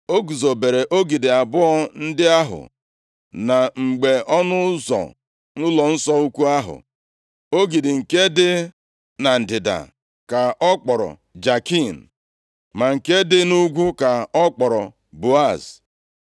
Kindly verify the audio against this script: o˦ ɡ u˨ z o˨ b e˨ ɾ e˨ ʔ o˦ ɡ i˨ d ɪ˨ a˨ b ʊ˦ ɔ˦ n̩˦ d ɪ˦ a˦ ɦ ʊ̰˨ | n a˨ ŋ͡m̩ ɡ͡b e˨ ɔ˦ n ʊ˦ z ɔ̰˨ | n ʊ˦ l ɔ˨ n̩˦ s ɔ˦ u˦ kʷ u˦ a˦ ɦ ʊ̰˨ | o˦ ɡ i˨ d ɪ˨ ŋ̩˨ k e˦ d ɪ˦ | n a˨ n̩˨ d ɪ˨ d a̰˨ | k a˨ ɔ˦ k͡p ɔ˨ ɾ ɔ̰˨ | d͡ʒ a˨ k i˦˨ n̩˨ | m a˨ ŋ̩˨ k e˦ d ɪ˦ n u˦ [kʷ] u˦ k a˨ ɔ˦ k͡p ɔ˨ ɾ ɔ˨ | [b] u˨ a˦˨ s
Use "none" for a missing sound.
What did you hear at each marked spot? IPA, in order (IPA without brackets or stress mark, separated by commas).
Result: ɡʷ, b